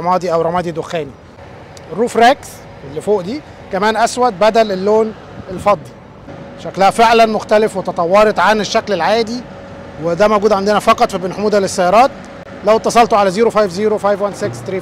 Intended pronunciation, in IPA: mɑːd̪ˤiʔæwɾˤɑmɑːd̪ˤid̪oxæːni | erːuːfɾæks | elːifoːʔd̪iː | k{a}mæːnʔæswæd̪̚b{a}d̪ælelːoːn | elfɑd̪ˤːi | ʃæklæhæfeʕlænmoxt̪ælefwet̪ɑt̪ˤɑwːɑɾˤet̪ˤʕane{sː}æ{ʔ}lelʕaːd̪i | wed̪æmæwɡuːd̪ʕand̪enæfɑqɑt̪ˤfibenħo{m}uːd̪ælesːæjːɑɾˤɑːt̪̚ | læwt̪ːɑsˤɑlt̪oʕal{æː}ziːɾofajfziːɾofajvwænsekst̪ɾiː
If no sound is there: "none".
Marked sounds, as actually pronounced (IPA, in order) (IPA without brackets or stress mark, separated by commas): æ, æ, ʃː, k, m, æ